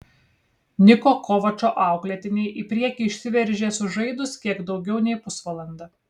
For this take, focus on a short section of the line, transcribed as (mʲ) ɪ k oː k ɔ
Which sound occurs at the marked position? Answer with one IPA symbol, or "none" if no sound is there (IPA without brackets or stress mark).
nʲ